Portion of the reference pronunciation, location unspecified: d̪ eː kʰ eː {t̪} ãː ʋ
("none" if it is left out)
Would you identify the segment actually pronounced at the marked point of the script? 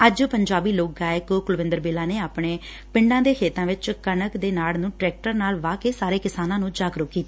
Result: t̪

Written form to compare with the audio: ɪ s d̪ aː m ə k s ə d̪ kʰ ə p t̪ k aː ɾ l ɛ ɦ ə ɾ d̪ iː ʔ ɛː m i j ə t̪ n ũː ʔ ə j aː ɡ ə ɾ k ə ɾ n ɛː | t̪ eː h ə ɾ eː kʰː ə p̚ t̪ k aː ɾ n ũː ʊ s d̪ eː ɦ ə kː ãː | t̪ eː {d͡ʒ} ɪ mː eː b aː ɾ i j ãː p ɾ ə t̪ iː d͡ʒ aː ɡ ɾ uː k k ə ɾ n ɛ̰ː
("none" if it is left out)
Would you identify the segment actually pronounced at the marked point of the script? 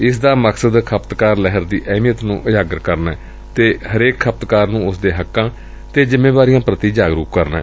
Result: d͡ʒ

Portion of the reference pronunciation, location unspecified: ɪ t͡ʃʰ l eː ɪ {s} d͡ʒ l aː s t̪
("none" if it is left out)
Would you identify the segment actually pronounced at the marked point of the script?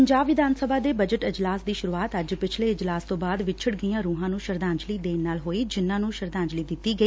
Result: none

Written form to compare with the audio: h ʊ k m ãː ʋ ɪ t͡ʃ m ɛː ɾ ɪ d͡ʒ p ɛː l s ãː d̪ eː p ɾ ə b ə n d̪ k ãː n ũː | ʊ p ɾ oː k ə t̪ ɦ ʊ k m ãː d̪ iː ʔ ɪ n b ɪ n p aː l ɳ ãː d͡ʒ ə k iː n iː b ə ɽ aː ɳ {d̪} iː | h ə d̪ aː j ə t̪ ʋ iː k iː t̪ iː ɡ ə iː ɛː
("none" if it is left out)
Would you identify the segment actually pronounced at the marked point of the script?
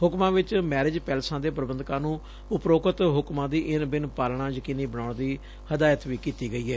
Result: d̪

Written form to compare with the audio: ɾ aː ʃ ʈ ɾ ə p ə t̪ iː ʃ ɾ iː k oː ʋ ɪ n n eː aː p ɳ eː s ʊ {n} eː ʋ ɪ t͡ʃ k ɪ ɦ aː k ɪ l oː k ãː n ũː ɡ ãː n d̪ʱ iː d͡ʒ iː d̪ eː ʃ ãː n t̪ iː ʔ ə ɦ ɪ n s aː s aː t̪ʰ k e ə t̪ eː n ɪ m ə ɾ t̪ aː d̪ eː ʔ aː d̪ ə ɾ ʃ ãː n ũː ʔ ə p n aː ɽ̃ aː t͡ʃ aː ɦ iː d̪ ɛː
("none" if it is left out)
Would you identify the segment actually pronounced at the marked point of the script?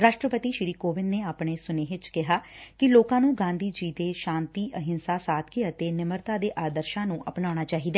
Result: n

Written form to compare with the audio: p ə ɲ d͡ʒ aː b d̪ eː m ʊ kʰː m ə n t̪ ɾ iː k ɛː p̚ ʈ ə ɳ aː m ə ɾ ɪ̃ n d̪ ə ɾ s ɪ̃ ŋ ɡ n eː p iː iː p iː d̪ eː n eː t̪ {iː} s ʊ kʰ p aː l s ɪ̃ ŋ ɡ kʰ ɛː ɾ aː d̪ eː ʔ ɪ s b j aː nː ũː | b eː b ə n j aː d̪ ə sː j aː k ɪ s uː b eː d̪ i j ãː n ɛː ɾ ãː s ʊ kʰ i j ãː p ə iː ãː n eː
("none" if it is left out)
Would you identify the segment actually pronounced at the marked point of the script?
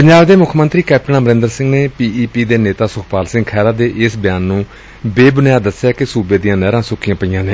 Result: aː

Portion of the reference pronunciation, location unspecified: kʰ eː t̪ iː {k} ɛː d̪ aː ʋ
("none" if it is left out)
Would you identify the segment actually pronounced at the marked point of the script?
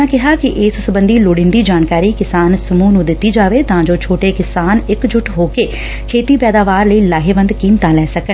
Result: p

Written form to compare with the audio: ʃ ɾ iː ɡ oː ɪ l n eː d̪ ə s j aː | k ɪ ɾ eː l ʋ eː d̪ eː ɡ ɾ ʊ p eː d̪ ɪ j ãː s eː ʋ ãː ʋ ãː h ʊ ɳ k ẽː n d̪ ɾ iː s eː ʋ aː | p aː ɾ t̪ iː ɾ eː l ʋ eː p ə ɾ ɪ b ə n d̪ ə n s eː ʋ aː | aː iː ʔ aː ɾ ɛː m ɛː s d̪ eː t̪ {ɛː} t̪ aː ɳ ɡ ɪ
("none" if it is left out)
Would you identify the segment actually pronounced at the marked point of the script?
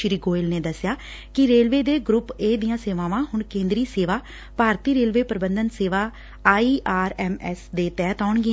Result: ɛː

